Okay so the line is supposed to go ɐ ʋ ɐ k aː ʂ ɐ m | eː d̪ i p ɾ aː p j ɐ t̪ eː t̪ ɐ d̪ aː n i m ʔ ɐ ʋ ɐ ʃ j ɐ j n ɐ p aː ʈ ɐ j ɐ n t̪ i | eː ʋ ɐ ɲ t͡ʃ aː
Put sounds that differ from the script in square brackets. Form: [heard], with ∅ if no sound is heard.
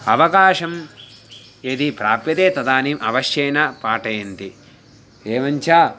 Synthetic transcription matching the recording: ɐ ʋ ɐ k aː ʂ ɐ m | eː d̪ i p ɾ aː p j ɐ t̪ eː t̪ ɐ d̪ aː n i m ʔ ɐ ʋ ɐ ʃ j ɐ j n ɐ p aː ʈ ɐ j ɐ n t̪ i | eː ʋ ɐ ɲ t͡ʃ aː